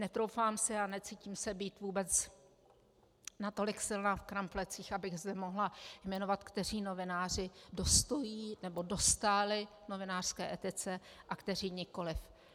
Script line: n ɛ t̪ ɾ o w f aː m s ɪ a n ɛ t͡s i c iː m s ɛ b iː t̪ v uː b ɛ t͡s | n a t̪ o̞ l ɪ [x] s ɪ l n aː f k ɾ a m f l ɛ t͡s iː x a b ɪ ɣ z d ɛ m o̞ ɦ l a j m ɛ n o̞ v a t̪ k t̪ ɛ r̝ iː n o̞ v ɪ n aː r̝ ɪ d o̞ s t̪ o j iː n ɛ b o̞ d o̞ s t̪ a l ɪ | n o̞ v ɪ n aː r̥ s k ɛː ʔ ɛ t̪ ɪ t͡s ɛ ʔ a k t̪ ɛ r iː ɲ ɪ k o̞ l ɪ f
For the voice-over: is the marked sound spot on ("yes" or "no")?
no